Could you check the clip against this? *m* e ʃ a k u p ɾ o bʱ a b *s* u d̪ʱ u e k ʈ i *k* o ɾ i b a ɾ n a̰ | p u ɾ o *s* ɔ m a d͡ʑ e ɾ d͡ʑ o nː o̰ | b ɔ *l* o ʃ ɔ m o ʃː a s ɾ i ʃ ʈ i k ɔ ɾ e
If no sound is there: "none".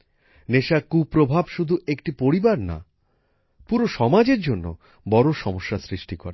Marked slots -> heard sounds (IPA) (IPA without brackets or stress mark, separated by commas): n, ʃ, p, ʃ, ɾ